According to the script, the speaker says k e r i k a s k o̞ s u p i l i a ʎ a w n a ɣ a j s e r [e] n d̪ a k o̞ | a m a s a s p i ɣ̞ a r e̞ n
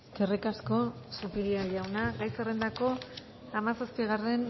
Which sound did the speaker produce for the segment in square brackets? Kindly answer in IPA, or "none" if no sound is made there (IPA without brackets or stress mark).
e